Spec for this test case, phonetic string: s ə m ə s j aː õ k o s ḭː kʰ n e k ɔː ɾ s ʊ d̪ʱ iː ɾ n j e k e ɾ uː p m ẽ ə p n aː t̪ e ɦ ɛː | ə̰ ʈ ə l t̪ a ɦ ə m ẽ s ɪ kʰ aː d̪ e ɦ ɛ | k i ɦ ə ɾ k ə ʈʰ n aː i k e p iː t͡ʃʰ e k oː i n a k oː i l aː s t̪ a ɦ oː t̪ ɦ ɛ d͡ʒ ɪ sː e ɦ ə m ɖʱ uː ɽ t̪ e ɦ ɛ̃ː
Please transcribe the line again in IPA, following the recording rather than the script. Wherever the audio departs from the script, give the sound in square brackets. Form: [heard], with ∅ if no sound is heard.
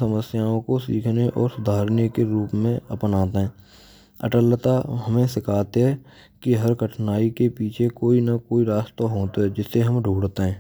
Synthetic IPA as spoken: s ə m ə s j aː õ k o s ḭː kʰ n e [ʔ] ɔː ɾ s ʊ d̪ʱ [aː] ɾ n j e k e ɾ uː p m ẽ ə p n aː t̪ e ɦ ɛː | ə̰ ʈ ə l t̪ a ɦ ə m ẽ s ɪ kʰ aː [t̪] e ɦ ɛ | k i ɦ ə ɾ k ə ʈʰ n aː i k e p iː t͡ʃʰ e k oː i n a k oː i [ɾ] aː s t̪ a ɦ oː t̪ ɦ ɛ d͡ʒ ɪ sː e ɦ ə m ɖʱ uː ɽ t̪ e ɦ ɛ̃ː

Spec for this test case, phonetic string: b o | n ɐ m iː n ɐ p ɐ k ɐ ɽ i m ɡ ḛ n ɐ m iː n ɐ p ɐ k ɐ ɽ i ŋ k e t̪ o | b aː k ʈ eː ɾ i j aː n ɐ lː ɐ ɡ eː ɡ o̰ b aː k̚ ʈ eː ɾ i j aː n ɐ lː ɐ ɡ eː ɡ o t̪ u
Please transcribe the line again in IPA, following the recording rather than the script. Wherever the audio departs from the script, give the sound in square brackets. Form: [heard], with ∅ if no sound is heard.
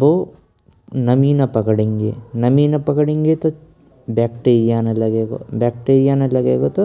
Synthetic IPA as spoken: b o | n ɐ m iː n ɐ p ɐ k ɐ ɽ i [ŋ] ɡ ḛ n ɐ m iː n ɐ p ɐ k ɐ ɽ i ŋ [ɡ] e t̪ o | b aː k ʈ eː ɾ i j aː n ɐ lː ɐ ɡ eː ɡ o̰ b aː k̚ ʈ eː ɾ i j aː n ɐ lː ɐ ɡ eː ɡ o t̪ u

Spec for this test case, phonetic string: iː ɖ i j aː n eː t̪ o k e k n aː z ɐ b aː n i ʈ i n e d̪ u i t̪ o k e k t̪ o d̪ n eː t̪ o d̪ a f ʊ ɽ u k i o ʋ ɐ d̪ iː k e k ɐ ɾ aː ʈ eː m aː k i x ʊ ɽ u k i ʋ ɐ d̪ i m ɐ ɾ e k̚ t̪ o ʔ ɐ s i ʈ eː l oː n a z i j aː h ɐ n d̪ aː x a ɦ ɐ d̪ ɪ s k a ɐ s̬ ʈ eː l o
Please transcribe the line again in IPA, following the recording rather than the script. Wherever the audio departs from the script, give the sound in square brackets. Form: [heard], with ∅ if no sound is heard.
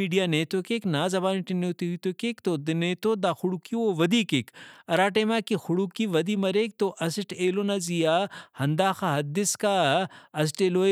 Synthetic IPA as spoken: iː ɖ i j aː n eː t̪ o k e k n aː z ɐ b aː n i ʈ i n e [t̪] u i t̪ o k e k t̪ o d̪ n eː t̪ o d̪ a [x] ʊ ɽ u k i o ʋ ɐ d̪ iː k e k ɐ ɾ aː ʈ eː m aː k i x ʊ ɽ u k i ʋ ɐ d̪ i m ɐ ɾ e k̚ t̪ o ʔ ɐ s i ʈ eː l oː n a z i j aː h ɐ n d̪ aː x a ɦ ɐ d̪ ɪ s k a ɐ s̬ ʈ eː l o

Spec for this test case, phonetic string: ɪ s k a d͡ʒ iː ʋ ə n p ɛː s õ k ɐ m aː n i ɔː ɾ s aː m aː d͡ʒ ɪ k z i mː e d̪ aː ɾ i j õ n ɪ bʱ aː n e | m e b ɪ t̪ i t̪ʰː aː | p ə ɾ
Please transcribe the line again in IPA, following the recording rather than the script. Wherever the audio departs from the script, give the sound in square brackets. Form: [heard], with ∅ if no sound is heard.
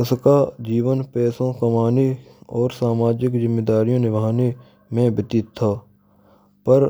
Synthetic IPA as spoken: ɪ s k a d͡ʒ iː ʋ ə n p ɛː s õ k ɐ m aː n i ɔː ɾ s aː m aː d͡ʒ ɪ k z [ɪ] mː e d̪ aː ɾ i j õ n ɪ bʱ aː n e | m [ẽ] b ɪ t̪ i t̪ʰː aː | p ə ɾ

